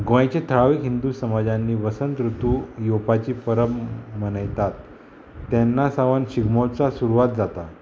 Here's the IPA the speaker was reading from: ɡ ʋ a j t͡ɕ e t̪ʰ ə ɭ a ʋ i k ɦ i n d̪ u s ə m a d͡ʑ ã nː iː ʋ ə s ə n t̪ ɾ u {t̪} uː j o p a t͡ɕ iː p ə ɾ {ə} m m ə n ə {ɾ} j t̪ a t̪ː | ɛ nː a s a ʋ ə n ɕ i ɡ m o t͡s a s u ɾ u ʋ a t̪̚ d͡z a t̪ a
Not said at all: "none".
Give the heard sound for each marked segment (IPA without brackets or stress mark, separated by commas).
t̪, ə, none